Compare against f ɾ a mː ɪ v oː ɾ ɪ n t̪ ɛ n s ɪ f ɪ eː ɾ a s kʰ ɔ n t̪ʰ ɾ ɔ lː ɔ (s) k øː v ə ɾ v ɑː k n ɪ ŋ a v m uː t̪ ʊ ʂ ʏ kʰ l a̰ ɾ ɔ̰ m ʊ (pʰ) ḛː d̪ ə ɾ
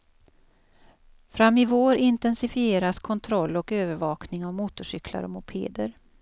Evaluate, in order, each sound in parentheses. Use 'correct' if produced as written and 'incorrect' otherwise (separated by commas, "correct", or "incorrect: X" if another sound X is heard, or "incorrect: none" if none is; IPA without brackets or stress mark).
incorrect: none, correct